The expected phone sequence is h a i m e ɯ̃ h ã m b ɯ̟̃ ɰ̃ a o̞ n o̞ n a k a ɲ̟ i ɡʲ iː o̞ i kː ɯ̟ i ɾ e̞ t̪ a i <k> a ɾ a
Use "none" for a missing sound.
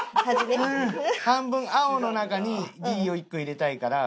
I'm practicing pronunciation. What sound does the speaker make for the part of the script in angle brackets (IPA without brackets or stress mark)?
k